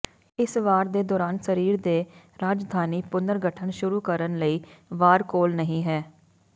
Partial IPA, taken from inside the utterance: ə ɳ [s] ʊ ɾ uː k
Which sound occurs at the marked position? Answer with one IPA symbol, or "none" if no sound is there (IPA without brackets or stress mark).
ʃ